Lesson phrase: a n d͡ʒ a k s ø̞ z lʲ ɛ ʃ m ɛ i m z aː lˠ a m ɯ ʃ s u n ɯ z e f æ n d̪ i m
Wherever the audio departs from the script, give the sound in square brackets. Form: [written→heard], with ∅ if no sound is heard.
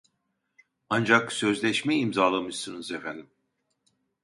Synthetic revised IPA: a n d͡ʒ a k s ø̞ z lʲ ɛ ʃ m ɛ i m z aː lˠ a m ɯ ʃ s [u→ɯ] n ɯ z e f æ n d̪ i m